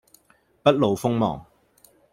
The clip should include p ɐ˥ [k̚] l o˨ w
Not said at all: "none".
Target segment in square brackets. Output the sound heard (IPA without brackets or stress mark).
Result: t̚